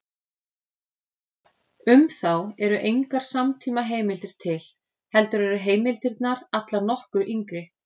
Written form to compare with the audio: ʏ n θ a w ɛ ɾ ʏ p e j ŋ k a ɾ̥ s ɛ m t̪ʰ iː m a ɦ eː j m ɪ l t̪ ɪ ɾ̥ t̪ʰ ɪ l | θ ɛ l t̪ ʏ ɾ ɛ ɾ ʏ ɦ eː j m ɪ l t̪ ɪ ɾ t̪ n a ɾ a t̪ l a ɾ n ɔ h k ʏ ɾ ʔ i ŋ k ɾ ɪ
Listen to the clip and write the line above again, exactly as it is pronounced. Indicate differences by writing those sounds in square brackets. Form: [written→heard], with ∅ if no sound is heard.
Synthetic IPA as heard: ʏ [n→m] θ a w ɛ ɾ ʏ [p→ʔ] e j ŋ k a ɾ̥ s [ɛ→a] m t̪ʰ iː m a ɦ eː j m ɪ l t̪ ɪ ɾ̥ t̪ʰ ɪ l | [θ→h] ɛ l t̪ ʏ ɾ ɛ ɾ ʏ ɦ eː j m ɪ l t̪ ɪ ɾ t̪ n a ɾ a t̪ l a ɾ n ɔ h k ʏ ɾ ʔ i ŋ k ɾ ɪ